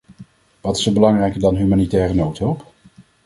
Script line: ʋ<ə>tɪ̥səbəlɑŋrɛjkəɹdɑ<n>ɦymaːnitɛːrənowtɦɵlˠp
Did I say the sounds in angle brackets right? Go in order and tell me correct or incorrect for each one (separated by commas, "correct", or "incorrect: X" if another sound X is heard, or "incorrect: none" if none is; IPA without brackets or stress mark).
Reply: incorrect: ɑ, correct